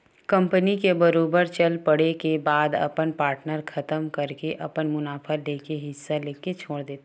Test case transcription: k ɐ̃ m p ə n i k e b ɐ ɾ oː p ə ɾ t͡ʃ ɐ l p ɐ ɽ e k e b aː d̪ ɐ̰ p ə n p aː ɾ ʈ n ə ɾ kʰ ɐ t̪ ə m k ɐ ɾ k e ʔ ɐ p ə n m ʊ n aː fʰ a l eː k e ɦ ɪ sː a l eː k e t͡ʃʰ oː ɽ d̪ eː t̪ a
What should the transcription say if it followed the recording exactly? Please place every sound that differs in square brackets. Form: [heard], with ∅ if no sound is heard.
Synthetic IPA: k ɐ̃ m p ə n i k e b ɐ ɾ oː [b] ə ɾ t͡ʃ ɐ l p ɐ ɽ e k e b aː d̪ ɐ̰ p ə n p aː ɾ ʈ n ə ɾ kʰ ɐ t̪ ə m k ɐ ɾ k e ʔ ɐ p ə n m ʊ n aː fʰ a l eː k e ɦ ɪ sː a l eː k e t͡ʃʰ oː ɽ d̪ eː t̪ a